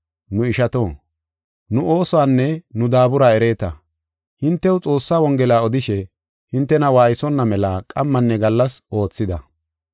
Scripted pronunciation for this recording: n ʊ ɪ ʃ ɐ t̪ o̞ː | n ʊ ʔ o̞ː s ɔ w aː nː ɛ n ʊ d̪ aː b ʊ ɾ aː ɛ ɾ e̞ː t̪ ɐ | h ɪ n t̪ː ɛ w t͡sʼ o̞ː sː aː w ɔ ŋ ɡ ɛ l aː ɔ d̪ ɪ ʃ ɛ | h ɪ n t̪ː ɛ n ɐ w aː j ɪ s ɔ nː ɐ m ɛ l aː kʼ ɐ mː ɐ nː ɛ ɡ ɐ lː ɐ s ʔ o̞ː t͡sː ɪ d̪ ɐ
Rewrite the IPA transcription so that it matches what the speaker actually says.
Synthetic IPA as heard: n ʊ ɪ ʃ ɐ t̪ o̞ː | n ʊ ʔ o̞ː s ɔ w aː nː ɛ n ʊ d̪ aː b ʊ ɾ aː ɛ ɾ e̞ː t̪ ɐ | h ɪ n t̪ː ɛ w t͡sʼ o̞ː sː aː w ɔ ŋ ɡ ɛ l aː ɔ d̪ ɪ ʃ ɛ | h ɪ n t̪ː ɛ n ɐ w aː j ɪ s ɔ nː ɐ m ɛ l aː kʼ ɐ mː ɐ nː ɛ ɡ ɐ lː ɐ s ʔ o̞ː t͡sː ɪ d̪ ɐ